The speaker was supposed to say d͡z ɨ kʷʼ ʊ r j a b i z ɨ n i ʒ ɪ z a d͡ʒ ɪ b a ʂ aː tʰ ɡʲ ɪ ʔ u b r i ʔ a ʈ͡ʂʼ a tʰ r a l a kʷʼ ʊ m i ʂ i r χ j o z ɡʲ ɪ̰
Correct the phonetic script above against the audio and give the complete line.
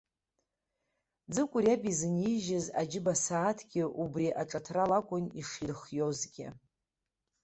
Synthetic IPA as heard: d͡z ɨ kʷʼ ʊ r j a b i z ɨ n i ʒ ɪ z a d͡ʒ ɪ b a s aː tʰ ɡʲ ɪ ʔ u b r i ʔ a ʈ͡ʂʼ a tʰ r a l a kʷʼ ʊ n i ʂ i r χ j o z ɡʲ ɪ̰